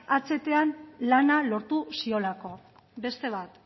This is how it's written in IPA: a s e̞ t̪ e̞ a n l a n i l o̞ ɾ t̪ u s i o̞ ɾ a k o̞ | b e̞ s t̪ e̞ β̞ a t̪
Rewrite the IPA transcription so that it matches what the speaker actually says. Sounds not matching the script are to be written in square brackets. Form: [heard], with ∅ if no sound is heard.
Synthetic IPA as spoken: a [t͡s] e̞ t̪ e̞ a n l a n [a] l o̞ ɾ t̪ u s i o̞ [l] a k o̞ | b e̞ s t̪ e̞ β̞ a t̪